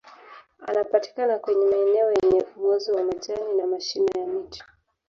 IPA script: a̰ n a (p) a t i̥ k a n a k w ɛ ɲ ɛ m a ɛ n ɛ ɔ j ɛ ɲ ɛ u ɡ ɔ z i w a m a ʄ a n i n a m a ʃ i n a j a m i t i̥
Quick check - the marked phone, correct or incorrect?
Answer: correct